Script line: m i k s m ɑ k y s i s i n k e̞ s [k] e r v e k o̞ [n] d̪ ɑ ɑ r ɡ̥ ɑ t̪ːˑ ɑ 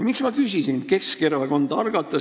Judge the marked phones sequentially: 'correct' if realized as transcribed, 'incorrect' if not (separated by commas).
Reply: correct, correct